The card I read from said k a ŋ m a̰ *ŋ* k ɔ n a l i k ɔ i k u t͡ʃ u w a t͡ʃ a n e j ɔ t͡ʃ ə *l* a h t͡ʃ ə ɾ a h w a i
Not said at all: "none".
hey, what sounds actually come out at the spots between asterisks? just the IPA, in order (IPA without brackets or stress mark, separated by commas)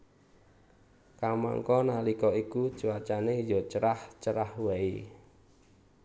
ŋ, ɾ